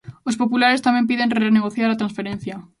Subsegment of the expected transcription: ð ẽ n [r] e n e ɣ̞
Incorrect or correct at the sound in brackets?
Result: correct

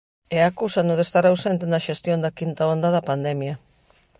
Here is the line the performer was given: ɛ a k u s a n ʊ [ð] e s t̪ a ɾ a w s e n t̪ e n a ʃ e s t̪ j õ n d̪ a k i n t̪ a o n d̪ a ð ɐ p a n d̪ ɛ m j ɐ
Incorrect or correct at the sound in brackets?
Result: correct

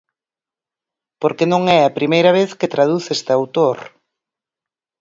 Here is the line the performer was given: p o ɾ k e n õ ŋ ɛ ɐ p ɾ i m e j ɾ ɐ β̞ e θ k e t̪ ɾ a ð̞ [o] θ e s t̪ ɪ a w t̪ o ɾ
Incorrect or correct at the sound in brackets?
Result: incorrect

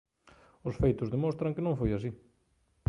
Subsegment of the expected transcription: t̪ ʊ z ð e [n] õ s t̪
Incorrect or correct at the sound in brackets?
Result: incorrect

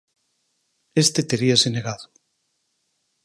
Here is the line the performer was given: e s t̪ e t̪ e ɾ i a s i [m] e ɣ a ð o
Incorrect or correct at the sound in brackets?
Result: incorrect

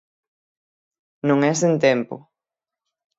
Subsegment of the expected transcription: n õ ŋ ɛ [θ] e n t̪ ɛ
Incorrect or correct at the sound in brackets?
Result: incorrect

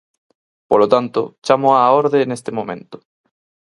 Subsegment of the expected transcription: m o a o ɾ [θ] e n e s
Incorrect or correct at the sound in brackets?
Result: incorrect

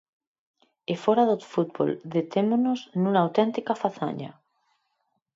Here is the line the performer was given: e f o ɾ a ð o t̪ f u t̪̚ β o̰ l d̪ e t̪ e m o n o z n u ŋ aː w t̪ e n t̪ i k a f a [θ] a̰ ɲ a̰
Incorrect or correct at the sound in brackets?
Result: correct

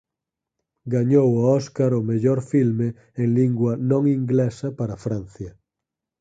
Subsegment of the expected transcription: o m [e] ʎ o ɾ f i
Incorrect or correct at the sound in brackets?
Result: correct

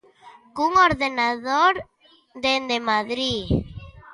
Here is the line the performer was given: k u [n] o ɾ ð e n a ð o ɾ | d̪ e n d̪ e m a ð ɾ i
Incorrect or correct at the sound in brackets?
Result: incorrect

